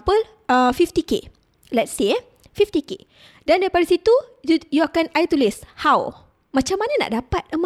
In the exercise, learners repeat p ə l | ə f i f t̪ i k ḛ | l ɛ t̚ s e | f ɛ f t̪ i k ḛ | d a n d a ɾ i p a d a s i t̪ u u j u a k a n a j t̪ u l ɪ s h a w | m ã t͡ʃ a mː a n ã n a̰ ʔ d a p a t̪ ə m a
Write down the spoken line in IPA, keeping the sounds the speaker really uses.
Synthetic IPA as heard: p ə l | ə f i f t̪ i k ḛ | l ɛ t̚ s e | f i f t̪ i k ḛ | d a n d a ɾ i p a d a s i t̪ u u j u a k a n a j t̪ u l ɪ s h a w | m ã t͡ʃ a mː a n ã n a̰ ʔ d a p a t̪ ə m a